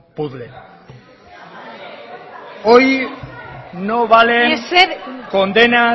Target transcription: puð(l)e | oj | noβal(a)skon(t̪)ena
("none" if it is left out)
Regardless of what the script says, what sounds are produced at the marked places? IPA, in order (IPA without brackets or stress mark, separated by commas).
l, e, d̪